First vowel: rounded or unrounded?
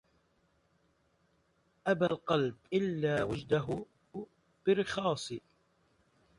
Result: unrounded